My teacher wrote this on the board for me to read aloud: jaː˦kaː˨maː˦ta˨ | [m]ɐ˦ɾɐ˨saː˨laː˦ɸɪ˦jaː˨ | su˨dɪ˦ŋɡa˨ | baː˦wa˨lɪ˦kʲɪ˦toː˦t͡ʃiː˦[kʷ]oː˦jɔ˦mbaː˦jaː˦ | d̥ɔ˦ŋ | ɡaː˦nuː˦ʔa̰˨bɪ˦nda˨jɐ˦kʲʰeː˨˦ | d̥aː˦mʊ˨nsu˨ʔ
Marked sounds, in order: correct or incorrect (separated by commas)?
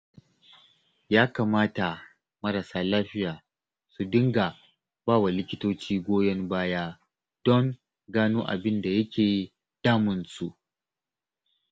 correct, incorrect